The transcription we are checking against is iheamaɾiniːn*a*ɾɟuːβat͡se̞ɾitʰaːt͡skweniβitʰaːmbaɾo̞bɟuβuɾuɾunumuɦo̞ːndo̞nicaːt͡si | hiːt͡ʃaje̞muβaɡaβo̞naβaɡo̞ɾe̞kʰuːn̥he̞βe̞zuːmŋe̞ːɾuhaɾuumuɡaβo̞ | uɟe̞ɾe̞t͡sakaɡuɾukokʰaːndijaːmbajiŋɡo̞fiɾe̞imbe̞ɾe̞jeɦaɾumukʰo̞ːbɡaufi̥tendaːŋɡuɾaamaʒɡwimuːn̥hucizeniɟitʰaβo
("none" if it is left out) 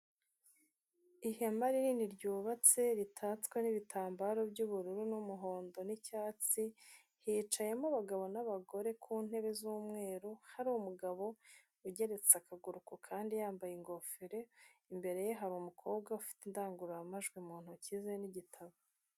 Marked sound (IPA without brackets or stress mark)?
i